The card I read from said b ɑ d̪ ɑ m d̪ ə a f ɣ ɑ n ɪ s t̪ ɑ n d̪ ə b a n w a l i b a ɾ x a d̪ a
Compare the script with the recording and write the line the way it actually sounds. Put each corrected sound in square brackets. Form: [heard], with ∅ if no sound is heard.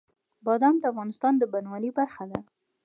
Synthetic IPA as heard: b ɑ d̪ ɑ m d̪ ə a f ɣ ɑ n ɪ s t̪ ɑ n d̪ ə b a n w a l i b a ɾ x a d̪ a